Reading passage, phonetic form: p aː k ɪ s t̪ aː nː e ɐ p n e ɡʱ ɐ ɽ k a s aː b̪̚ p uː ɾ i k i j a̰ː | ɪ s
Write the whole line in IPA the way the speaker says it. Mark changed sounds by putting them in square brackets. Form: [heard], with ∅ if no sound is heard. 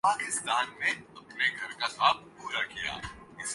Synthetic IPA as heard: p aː k ɪ s t̪ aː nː e ɐ p n e ɡʱ ɐ [ɾ] k a s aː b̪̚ p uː ɾ [a] k i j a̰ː | ɪ s